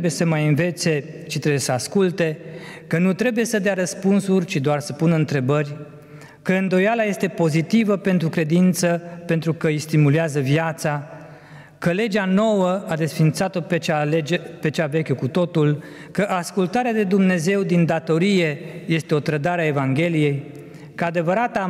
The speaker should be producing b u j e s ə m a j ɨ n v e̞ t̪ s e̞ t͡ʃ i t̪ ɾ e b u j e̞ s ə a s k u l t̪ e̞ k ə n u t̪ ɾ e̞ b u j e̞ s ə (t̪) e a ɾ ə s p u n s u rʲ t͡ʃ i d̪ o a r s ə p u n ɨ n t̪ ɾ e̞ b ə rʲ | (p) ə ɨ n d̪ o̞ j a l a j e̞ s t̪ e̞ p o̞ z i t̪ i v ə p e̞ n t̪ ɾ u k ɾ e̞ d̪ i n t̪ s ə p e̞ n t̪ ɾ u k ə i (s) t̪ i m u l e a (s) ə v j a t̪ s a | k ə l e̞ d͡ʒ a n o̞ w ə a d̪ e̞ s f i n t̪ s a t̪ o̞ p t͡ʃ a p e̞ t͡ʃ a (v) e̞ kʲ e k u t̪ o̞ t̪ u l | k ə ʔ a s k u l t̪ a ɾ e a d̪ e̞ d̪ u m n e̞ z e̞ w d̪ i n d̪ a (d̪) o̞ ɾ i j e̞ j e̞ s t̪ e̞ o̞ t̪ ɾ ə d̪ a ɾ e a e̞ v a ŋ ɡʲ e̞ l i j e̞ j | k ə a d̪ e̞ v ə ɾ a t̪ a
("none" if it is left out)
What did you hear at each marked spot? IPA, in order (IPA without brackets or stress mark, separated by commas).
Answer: d̪, k, s, z, v, t̪